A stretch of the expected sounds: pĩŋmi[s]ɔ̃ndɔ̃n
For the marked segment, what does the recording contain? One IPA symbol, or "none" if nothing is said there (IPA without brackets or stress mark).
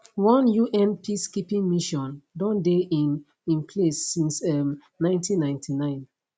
ʃ